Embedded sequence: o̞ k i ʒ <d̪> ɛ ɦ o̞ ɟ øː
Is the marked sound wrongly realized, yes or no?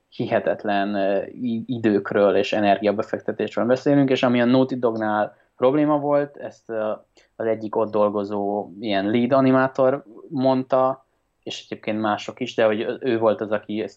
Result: no